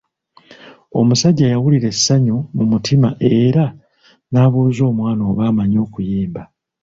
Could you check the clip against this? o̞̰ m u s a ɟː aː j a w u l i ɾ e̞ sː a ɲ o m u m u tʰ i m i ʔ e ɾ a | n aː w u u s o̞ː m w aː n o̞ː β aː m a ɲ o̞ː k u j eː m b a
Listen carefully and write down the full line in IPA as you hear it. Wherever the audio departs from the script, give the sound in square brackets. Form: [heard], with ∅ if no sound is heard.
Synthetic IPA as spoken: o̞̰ m u s a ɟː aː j a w u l i ɾ e̞ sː a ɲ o m u m u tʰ i m [a] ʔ e ɾ a | n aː [β] u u [z] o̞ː m w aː n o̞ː β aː m a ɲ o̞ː k u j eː m b a